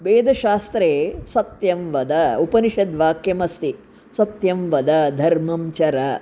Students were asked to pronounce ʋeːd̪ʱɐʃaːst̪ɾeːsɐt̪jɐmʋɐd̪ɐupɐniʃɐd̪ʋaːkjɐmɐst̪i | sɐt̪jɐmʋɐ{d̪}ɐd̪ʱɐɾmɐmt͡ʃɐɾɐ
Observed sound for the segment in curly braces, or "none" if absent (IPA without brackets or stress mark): d̪